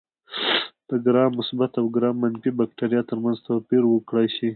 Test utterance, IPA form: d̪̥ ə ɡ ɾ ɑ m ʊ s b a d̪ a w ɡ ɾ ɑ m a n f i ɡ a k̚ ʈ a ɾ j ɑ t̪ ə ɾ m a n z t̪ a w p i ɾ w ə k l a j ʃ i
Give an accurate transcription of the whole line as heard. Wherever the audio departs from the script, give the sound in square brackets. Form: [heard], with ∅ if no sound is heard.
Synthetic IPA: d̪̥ ə ɡ ɾ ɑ m ʊ s b a [t̪] a w ɡ ɾ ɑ m a n f i [b] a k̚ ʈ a ɾ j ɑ t̪ ə ɾ m a n z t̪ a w p i ɾ w ə k [ɽ] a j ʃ i